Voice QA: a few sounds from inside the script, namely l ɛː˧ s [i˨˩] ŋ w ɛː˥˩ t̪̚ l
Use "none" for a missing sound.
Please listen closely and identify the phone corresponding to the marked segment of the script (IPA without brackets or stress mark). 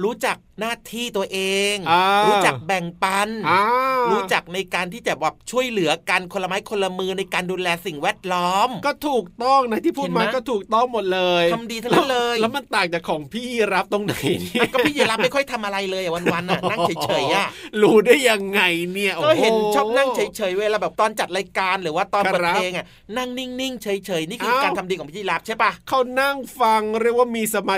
i˨˩